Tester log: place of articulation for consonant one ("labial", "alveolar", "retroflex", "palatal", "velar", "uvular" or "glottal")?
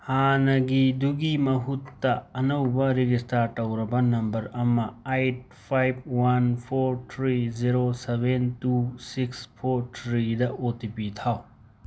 glottal